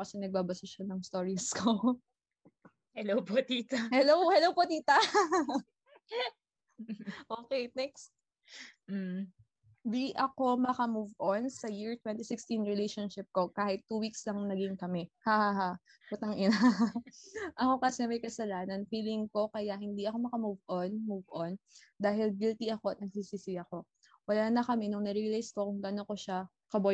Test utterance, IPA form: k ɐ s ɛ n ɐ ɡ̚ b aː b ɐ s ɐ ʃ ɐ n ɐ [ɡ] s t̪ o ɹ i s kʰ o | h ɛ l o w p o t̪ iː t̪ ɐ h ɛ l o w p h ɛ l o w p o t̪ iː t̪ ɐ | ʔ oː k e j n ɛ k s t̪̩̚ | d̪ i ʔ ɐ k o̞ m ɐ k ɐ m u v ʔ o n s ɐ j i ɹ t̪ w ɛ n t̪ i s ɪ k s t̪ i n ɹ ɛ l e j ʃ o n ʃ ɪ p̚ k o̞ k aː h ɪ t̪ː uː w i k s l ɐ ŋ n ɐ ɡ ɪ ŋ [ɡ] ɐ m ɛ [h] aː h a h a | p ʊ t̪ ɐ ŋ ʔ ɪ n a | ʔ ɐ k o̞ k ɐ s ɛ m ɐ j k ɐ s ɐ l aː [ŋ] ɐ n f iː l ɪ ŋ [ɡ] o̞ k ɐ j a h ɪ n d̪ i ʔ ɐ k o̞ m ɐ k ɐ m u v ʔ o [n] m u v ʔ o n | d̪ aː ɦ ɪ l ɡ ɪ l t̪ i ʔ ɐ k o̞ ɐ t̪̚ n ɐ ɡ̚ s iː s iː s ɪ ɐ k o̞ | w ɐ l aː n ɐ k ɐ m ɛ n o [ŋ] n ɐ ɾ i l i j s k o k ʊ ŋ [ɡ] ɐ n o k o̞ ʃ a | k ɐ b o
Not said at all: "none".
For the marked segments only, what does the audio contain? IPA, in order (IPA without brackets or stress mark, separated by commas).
ŋ, k, h, n, k, n, ŋ, ɡ